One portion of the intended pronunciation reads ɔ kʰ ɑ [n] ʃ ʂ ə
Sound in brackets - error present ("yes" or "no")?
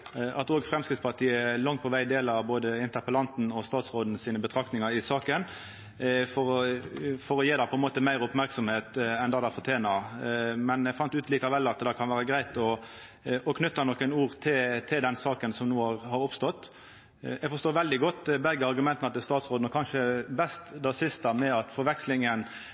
no